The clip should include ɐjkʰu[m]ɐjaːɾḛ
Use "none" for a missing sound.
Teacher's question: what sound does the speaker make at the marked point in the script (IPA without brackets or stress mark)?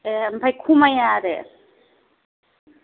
m